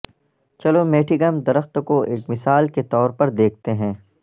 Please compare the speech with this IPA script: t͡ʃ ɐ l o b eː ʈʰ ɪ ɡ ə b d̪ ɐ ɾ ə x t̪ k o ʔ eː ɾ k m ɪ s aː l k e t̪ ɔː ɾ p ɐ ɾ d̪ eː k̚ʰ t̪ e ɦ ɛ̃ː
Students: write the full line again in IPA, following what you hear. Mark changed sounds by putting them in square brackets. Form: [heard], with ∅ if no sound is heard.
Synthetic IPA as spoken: t͡ʃ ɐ l o [m] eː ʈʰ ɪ ɡ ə [m] d̪ ɐ ɾ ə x t̪ k o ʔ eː [∅] k m ɪ s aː l k e t̪ ɔː ɾ p ɐ ɾ d̪ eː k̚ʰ t̪ e ɦ ɛ̃ː